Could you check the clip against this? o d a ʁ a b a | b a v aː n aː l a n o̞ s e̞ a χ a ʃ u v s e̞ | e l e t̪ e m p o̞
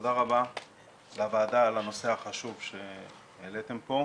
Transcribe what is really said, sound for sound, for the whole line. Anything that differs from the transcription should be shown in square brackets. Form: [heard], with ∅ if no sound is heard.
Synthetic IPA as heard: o d a ʁ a b a | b a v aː [d] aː l a n o̞ s e̞ a χ a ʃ u v [ʃ] e̞ | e l e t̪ e m p o̞